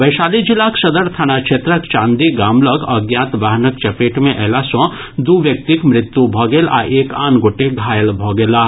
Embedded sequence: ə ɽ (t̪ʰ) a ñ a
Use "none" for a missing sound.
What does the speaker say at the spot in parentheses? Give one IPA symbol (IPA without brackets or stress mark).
t̪ʰ